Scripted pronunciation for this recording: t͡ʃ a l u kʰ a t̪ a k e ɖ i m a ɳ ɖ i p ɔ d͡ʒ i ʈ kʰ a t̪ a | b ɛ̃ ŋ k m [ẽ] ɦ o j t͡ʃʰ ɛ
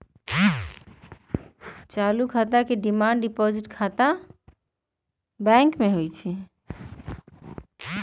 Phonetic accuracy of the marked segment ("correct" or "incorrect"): incorrect